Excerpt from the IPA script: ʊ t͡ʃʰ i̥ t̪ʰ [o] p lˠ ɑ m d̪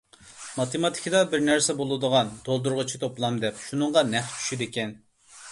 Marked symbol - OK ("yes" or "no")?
yes